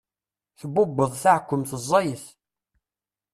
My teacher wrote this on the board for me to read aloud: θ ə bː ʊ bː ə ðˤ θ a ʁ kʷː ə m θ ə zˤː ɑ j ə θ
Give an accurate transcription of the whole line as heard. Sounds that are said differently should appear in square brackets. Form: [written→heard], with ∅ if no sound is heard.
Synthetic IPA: θ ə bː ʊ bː ə ðˤ θ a [ʁ→ʕ] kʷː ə m θ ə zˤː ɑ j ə θ